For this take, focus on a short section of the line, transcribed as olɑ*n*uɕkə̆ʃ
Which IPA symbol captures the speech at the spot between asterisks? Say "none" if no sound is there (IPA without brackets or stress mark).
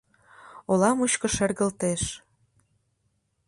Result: m